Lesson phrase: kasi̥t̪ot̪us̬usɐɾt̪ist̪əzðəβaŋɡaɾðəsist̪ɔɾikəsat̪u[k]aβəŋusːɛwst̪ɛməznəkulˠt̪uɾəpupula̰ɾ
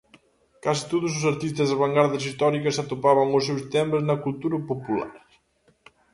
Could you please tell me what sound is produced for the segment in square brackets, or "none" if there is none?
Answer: p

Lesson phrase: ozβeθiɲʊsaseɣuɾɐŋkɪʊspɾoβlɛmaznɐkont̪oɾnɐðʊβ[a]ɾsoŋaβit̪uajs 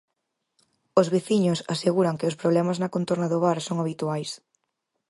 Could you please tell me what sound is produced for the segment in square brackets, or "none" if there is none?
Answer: a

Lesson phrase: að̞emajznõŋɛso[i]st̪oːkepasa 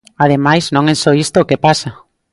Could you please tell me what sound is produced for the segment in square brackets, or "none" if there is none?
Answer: i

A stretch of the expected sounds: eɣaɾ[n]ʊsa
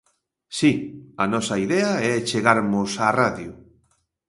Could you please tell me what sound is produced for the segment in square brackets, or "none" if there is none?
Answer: m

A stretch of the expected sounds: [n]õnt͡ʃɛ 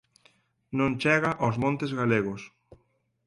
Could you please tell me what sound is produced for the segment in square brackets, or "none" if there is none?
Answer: n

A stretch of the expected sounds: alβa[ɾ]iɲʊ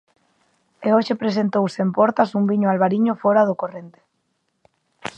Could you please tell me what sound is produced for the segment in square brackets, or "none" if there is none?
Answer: ɾ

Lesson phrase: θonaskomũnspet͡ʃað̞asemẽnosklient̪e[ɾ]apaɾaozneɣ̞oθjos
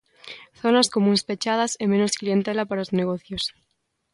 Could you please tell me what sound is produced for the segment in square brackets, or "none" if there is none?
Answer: l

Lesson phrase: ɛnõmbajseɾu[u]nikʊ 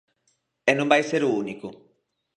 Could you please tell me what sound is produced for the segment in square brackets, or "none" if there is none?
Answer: u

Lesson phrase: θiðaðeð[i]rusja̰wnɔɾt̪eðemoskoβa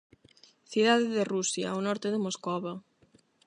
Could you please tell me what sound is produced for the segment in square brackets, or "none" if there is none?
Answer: e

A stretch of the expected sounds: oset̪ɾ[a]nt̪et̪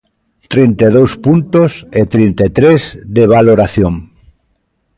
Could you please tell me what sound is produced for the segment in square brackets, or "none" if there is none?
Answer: i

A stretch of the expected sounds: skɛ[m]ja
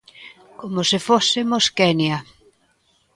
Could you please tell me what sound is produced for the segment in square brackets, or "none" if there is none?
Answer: n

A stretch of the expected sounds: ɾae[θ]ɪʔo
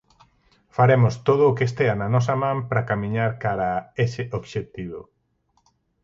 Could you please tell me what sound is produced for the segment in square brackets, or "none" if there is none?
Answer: s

